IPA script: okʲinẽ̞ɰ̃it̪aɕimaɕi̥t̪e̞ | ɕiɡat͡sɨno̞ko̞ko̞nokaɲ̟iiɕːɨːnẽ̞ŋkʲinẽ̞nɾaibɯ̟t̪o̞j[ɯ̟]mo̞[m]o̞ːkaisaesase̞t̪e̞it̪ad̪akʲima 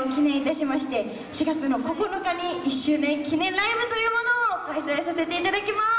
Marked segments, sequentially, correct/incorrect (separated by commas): incorrect, incorrect